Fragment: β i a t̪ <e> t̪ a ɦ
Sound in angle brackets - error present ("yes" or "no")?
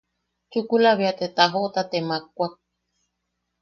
no